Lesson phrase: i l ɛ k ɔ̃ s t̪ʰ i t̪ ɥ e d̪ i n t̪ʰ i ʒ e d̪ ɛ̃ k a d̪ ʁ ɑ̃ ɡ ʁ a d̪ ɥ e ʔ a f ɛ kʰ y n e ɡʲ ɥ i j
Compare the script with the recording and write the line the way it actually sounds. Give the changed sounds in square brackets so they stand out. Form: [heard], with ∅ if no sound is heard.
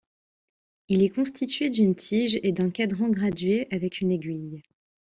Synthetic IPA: i l ɛ k ɔ̃ s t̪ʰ i t̪ ɥ e d̪ [y] n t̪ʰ i ʒ e d̪ ɛ̃ k a d̪ ʁ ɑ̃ ɡ ʁ a d̪ ɥ e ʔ a [v] ɛ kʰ y n e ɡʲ ɥ i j